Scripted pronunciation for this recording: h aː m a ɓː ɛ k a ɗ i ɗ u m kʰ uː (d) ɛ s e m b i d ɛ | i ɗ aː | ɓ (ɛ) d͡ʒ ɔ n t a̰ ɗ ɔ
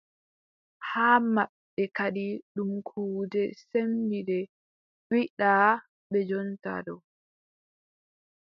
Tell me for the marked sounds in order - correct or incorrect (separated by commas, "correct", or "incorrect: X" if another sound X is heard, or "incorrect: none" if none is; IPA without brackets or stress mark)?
correct, correct